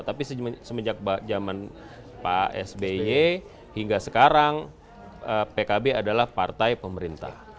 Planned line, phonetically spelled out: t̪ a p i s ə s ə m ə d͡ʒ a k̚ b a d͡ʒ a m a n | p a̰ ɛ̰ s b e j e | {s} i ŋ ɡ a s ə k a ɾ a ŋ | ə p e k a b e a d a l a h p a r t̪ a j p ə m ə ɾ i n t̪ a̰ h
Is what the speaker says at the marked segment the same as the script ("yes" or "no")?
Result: no